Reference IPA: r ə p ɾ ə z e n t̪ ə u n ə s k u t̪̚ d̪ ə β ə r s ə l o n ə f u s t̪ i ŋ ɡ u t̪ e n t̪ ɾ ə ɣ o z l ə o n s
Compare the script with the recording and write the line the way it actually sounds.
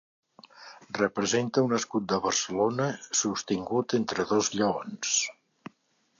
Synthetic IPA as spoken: r ə p ɾ ə z e n t̪ ə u n ə s k u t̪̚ d̪ ə β ə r s ə l o n ə s u s t̪ i ŋ ɡ u t̪ e n t̪ ɾ ə ð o z ʎ ə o n s